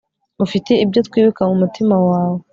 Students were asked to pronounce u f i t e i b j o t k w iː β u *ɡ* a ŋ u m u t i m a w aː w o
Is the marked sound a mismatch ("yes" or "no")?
yes